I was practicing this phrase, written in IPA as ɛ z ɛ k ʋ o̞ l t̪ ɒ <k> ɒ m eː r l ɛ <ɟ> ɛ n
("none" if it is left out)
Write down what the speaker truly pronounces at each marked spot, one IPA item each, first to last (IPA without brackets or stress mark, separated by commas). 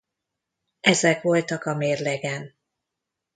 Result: k, ɡ